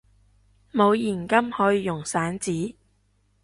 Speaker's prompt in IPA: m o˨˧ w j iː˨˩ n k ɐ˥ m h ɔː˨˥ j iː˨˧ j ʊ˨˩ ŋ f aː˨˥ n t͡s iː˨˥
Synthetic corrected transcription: m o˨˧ w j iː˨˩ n k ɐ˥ m h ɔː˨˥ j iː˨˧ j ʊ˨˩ ŋ s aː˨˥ n t͡s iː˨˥